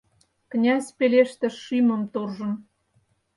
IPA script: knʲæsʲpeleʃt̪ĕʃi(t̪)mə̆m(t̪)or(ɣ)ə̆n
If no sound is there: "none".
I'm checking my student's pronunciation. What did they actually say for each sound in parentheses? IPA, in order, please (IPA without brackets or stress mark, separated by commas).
none, t̪, ʒ